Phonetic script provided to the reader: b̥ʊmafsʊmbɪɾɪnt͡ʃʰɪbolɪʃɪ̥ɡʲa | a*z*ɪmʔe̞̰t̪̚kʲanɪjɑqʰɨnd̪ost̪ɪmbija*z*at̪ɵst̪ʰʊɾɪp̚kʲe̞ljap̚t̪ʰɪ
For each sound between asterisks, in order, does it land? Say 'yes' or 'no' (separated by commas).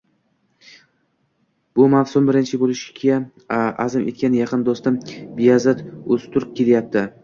yes, yes